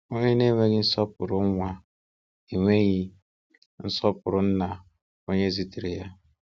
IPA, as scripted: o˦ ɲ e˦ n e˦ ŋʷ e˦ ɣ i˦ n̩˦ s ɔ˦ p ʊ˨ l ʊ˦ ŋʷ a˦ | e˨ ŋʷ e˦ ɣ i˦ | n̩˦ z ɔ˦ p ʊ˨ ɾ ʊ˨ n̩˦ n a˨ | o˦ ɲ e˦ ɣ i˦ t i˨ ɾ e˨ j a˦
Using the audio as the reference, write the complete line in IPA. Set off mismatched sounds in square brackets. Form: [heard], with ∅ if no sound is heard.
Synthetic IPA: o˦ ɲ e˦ n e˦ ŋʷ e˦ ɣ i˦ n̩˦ s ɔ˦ p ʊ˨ [ɾ] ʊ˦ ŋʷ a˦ | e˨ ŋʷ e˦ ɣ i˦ | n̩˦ [s] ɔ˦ p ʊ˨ ɾ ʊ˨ n̩˦ n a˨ | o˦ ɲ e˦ [z] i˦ t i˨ ɾ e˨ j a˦